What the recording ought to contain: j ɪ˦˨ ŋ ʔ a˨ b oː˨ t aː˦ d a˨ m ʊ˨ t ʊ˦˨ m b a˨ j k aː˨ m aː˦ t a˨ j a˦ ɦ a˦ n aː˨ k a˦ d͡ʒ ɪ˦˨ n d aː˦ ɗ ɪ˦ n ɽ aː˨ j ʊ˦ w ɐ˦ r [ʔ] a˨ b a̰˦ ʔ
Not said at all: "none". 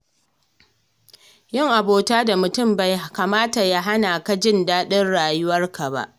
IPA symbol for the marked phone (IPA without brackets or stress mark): k